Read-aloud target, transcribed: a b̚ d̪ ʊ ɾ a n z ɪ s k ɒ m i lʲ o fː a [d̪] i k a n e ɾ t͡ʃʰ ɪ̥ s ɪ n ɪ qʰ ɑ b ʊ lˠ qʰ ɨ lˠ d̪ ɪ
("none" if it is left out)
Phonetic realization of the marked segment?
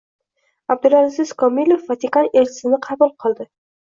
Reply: t̪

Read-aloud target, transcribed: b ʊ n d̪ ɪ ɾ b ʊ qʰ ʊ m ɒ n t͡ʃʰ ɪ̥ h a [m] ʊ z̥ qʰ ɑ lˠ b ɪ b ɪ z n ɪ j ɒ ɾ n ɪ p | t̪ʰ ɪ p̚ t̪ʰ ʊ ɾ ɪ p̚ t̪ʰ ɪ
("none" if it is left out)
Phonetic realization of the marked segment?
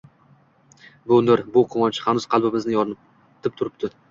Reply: n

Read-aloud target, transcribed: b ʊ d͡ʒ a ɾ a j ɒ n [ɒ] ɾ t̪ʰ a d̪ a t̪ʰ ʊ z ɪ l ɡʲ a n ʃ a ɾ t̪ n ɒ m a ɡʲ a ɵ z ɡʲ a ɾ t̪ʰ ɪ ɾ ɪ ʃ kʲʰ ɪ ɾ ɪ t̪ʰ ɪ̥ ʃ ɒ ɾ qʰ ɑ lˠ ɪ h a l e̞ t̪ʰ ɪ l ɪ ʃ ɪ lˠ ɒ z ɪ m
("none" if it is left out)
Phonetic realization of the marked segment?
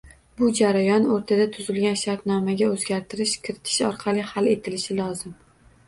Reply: o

